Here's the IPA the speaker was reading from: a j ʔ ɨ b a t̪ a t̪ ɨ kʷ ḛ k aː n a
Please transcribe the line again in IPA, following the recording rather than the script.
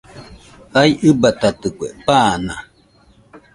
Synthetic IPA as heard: a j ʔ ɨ b a t̪ a t̪ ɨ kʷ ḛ p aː n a